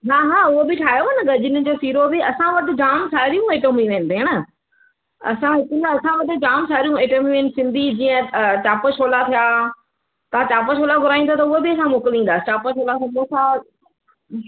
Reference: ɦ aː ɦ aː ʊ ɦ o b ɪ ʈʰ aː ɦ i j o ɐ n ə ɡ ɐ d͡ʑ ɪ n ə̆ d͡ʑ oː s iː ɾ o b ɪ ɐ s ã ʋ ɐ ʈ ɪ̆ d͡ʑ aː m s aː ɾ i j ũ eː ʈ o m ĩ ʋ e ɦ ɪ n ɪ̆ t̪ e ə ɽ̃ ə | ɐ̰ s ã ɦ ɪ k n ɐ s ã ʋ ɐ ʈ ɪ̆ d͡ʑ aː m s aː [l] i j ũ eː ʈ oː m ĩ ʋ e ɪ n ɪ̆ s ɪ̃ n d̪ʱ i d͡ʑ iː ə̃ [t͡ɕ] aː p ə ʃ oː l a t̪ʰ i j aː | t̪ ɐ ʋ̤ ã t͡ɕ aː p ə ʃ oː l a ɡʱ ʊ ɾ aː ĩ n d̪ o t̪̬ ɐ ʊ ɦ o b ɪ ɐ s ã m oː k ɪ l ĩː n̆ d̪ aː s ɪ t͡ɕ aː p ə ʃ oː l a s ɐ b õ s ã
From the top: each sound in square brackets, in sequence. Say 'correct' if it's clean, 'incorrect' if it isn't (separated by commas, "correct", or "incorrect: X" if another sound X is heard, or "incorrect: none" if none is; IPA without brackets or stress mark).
incorrect: ɾ, correct